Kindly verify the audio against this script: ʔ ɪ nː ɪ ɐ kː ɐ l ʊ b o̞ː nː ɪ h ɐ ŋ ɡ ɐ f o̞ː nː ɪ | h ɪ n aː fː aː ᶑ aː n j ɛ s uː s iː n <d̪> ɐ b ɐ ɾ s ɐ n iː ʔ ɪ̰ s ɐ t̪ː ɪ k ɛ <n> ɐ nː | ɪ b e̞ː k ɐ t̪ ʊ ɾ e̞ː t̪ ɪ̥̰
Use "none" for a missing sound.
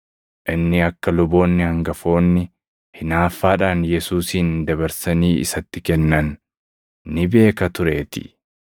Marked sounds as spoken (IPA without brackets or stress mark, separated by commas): d̪, nː